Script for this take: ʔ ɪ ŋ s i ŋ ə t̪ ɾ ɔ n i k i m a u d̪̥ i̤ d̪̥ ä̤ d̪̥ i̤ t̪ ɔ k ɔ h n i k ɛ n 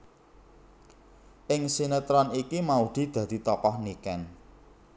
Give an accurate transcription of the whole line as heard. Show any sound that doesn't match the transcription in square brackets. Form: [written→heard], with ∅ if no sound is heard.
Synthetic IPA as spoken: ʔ ɪ ŋ s i [ŋ→n] ə t̪ ɾ ɔ n i k i m a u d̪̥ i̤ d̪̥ ä̤ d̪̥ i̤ t̪ ɔ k ɔ h n i k ɛ n